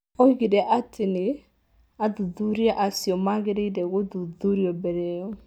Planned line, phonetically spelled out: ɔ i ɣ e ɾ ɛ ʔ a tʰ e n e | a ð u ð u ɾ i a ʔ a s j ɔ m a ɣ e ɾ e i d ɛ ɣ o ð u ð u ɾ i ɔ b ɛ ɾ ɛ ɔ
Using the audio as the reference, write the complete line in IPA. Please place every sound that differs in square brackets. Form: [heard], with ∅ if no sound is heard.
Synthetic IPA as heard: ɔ i ɣ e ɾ ɛ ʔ a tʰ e n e | a ð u ð u ɾ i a ʔ a s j ɔ m a ɣ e ɾ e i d ɛ ɣ o ð u ð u ɾ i ɔ b ɛ ɾ ɛ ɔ